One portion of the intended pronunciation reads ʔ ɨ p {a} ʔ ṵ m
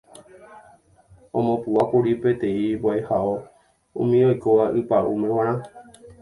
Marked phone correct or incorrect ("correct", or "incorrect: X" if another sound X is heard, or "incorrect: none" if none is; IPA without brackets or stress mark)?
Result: correct